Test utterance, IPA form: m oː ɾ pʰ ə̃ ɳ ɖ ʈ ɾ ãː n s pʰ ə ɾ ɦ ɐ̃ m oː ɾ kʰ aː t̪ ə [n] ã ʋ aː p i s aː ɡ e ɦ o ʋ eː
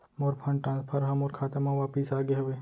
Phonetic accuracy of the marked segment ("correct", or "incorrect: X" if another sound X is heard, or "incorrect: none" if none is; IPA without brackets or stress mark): incorrect: m